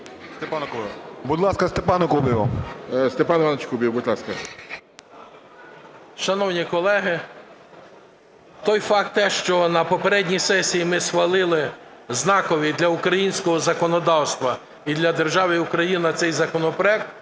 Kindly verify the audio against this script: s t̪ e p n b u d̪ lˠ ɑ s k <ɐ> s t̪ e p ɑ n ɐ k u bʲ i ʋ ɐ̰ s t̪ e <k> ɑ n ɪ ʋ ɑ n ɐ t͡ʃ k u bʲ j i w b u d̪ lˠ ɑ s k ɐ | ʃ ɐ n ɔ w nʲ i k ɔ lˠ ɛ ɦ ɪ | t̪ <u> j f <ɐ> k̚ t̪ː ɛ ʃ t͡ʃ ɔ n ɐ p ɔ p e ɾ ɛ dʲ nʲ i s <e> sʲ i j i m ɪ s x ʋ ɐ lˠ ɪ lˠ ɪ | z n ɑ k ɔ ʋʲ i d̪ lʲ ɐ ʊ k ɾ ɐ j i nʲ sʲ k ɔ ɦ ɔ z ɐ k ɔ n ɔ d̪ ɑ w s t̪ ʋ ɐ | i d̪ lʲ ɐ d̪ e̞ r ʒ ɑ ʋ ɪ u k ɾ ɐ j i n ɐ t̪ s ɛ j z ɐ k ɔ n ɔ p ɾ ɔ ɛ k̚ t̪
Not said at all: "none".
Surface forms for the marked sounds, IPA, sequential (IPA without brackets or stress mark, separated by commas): ɐ, p, ɔ, ɑ, ɛ